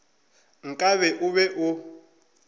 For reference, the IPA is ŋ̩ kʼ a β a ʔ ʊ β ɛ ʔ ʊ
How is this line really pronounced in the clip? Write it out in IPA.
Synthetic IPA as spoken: ŋ̩ kʼ a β ɛ ʔ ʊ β ɛ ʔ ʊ